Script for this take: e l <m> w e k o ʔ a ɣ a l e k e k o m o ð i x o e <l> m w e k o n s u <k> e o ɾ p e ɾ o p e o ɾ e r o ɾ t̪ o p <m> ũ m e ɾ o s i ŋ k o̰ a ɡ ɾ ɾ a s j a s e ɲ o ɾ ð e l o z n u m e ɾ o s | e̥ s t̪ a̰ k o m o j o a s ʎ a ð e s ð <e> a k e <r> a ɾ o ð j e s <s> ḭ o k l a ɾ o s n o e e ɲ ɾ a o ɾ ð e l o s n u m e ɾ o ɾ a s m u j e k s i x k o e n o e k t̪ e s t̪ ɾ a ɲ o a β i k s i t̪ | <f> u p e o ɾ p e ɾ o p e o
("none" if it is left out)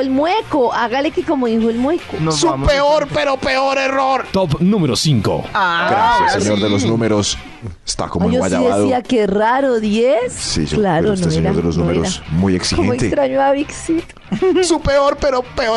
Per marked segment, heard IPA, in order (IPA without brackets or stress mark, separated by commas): m, l, p, n, i, r, s, s